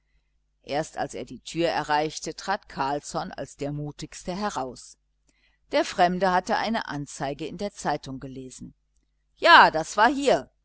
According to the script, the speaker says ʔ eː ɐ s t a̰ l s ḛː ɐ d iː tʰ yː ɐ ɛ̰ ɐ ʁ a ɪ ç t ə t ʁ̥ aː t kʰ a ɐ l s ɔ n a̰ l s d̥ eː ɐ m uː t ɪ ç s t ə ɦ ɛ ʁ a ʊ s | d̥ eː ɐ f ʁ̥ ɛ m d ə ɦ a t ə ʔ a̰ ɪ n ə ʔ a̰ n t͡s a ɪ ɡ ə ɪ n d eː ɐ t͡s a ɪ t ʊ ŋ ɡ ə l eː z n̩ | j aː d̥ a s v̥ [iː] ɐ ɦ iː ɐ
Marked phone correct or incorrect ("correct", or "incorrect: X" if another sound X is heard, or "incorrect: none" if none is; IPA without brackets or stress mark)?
incorrect: aː